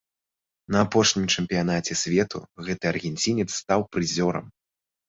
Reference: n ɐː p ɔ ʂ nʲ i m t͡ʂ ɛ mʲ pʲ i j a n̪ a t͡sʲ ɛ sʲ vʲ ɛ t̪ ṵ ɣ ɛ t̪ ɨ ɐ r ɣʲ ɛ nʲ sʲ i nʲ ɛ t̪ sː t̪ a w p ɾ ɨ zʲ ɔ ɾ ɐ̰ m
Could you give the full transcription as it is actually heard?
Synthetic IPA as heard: n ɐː p ɔ ʂ nʲ i m t͡ʂ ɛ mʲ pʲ i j a n̪ a t͡sʲ ɛ sʲ vʲ ɛ t̪ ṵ ɣ ɛ t̪ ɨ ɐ r ɣʲ ɛ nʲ t͡sʲ i nʲ ɛ t̪ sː t̪ a w p ɾ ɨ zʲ ɔ ɾ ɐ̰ m